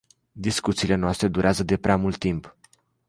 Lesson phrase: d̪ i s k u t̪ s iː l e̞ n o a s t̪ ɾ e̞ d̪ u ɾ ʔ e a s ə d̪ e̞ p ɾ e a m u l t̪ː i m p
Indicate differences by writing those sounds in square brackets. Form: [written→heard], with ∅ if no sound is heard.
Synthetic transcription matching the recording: d̪ i s k u t̪ s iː l e̞ n o a s t̪ ɾ e̞ d̪ u ɾ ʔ e a [s→z] ə d̪ e̞ p ɾ e a m u l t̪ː i m p